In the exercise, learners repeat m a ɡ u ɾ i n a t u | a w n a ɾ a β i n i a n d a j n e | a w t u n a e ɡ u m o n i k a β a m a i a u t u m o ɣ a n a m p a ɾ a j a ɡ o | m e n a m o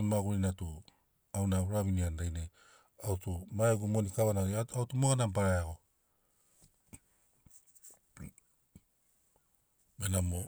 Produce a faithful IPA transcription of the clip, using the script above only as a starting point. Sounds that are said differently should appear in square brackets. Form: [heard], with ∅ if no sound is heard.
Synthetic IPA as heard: m a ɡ u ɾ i n a t u | a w n a ɾ a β i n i a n d a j n e | a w t u [m] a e ɡ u m o n i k a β a [n] a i a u t u m o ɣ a n a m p a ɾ a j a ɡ o | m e n a m o